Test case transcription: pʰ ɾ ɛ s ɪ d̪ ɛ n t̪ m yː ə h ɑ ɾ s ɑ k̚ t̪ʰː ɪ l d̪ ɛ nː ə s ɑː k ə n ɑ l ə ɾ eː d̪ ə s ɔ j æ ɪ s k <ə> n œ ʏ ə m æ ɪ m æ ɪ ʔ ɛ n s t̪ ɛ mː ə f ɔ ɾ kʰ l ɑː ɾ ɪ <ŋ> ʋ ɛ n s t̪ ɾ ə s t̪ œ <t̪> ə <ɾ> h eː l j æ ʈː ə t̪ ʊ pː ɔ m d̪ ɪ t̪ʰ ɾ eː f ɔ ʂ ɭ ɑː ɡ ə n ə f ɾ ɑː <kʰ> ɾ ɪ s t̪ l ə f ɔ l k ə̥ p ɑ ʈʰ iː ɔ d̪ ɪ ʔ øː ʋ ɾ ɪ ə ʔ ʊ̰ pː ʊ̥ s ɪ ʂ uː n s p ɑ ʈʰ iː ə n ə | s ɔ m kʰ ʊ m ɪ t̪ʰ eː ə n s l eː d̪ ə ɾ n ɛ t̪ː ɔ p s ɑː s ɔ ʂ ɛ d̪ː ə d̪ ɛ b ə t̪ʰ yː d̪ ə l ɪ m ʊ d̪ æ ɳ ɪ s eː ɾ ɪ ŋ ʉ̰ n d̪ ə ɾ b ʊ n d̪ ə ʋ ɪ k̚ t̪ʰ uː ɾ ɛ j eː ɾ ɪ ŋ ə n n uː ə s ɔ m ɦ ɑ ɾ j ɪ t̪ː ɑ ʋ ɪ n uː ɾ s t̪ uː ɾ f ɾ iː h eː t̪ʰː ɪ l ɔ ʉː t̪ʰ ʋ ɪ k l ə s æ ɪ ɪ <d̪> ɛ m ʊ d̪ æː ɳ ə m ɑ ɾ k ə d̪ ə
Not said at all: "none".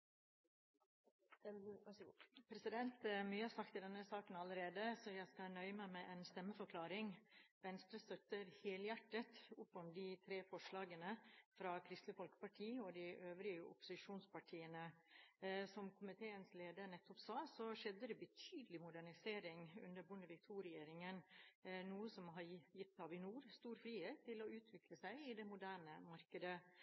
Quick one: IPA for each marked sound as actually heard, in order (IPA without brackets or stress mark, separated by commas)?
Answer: ɑ, ŋ, t̪, ɾ, kʰ, d̪